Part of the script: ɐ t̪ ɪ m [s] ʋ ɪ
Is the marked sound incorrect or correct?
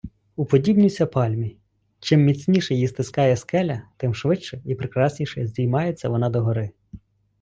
incorrect